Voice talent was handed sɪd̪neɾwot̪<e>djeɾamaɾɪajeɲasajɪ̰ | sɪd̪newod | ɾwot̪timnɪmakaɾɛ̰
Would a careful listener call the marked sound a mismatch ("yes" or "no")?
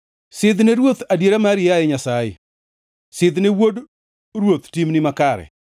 yes